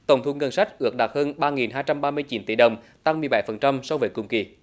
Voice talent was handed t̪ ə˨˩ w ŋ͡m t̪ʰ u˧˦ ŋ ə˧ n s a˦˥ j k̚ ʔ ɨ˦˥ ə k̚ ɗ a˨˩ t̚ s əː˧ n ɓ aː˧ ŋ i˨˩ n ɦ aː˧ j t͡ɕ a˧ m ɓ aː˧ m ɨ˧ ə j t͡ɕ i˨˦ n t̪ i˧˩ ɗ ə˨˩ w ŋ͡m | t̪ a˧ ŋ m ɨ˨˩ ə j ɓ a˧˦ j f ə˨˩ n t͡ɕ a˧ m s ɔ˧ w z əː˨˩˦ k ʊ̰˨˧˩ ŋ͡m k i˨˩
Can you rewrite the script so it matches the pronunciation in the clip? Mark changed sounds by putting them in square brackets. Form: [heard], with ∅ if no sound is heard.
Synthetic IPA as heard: t̪ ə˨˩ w ŋ͡m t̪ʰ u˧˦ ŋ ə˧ n s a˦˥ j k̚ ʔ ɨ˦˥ ə k̚ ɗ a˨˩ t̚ [h] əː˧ n ɓ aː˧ ŋ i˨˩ n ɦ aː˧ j t͡ɕ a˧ m ɓ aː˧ m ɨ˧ ə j t͡ɕ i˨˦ n t̪ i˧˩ ɗ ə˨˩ w ŋ͡m | t̪ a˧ ŋ m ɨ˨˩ ə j ɓ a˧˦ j f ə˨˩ n t͡ɕ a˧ m s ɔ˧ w [v] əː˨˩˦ k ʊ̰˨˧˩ ŋ͡m k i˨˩